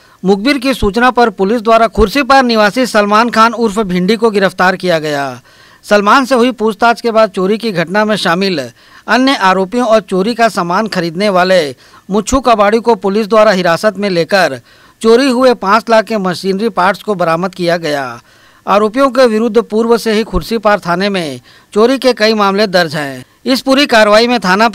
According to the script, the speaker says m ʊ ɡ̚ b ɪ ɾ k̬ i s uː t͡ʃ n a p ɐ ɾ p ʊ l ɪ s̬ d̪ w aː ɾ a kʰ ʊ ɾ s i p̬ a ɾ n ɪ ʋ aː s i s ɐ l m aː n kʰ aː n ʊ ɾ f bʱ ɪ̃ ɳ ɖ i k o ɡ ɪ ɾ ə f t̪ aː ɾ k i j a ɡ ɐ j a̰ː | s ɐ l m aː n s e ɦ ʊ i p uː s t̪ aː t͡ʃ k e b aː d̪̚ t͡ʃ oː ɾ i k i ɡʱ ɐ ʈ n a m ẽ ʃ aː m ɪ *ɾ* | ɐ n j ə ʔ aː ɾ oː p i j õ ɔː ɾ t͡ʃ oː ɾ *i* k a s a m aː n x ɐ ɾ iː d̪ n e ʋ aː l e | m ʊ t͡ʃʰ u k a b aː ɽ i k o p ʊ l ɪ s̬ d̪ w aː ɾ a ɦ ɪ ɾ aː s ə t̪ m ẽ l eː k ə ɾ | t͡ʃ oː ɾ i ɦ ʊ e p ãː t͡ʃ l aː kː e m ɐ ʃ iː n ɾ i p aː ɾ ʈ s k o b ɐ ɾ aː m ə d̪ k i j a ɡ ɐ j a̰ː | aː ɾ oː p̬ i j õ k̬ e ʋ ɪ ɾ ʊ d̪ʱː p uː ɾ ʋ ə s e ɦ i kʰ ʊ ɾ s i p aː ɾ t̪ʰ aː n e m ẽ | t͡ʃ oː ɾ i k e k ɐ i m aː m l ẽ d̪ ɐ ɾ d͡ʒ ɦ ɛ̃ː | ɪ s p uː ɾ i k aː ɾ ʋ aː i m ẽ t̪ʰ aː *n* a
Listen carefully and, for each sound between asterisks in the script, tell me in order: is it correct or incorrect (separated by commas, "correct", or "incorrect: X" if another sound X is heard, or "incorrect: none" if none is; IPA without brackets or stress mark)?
incorrect: l, correct, correct